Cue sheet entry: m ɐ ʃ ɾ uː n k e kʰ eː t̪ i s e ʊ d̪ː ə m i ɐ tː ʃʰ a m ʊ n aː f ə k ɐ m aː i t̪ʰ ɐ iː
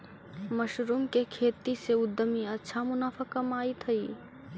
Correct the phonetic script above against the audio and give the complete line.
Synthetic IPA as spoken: m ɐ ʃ ɾ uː m k e kʰ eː t̪ i s e ʊ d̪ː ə m i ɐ tː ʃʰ a m ʊ n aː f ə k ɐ m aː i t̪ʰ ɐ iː